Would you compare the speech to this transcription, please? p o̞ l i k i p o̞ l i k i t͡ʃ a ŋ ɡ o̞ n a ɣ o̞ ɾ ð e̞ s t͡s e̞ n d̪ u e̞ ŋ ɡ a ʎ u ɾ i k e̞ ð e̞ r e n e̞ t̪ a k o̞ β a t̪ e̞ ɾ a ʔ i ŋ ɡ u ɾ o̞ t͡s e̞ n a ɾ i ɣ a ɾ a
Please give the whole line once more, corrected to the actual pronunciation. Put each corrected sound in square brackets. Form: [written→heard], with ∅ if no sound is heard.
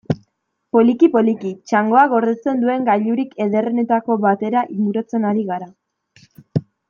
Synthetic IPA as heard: p o̞ l i k i p o̞ l i k i t͡ʃ a ŋ ɡ o̞ [n→∅] a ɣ o̞ ɾ ð e̞ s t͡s e̞ n d̪ u e̞ ŋ ɡ a ʎ u ɾ i k e̞ ð e̞ r e n e̞ t̪ a k o̞ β a t̪ e̞ ɾ a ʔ i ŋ ɡ u ɾ o̞ t͡s e̞ n a ɾ i ɣ a ɾ a